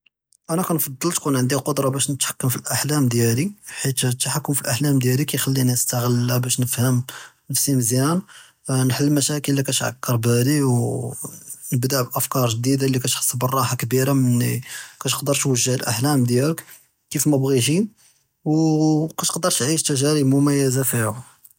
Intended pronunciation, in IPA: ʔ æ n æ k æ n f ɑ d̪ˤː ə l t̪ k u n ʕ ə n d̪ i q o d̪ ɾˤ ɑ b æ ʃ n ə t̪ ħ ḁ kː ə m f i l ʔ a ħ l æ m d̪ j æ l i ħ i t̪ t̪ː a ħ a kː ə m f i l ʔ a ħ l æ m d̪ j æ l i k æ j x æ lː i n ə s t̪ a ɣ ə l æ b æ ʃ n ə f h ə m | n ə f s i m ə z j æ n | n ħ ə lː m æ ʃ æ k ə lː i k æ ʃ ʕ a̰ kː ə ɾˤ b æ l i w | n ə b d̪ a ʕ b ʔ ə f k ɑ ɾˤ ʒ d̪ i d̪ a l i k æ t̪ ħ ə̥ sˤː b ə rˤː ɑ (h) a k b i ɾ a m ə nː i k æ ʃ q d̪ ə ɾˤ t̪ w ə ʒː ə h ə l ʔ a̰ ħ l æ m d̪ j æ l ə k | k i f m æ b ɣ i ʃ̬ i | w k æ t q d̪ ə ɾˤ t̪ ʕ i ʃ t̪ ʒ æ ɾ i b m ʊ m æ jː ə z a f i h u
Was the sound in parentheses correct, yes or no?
no